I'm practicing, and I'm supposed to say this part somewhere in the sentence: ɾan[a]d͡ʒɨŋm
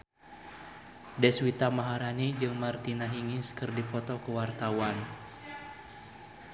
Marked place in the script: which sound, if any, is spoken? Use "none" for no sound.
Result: i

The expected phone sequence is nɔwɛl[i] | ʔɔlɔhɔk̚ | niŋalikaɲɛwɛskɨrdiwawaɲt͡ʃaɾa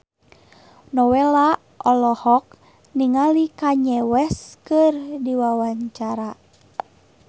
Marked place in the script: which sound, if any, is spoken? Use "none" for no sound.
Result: a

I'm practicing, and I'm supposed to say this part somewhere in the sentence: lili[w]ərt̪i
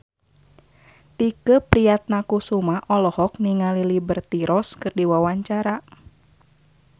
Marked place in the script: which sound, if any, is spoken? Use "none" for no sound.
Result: b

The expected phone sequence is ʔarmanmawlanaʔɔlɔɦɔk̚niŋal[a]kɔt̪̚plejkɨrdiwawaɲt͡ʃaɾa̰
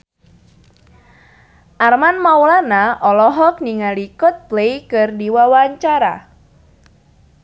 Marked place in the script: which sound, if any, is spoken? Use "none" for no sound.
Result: i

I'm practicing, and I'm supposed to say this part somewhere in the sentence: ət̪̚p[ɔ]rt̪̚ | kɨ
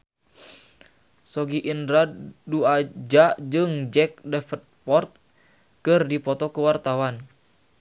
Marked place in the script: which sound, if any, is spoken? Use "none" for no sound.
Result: ɔ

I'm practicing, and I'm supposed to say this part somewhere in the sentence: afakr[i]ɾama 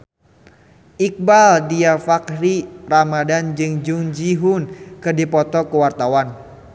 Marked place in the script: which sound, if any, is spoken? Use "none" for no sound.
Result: i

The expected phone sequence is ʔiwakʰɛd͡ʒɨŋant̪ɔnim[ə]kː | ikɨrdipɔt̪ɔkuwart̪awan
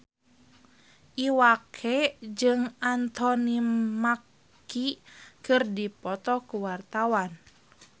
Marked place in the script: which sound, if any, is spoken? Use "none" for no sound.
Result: a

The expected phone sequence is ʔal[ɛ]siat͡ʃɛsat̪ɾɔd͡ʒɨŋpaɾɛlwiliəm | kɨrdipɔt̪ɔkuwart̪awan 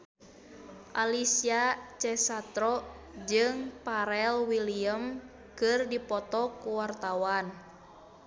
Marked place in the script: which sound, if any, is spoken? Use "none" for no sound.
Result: i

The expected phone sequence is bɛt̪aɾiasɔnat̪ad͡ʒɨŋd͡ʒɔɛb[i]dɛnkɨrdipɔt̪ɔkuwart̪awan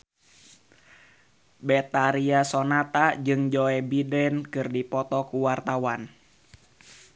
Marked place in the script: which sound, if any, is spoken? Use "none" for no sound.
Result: i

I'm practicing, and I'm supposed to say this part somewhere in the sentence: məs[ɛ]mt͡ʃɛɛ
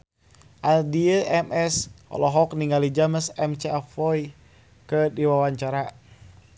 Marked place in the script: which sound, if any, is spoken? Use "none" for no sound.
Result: ɛ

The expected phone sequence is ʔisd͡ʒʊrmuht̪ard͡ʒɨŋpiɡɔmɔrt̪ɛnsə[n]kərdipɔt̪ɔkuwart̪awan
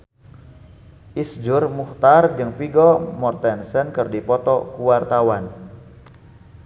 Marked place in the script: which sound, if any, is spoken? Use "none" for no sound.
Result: n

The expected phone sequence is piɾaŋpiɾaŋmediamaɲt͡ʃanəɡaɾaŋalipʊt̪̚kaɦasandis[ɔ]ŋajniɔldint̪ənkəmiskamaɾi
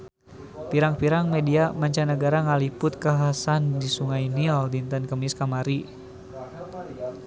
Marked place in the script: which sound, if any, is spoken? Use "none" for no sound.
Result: u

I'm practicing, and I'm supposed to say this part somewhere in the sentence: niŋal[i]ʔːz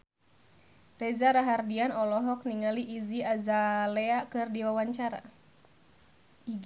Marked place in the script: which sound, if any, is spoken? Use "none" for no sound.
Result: i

